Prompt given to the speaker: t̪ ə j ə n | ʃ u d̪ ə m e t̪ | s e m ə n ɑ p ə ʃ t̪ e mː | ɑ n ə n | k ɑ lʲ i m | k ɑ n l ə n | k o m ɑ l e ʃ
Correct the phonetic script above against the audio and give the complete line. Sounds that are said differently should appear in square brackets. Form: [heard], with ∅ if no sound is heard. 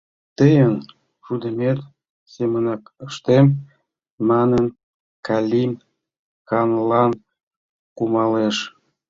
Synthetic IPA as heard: t̪ ə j ə n | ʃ u d̪ ə m e t̪ | s e m ə n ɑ [k] ə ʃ t̪ e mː | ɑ n ə n | k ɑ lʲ i m | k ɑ n l [ɑ] n | k [u] m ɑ l e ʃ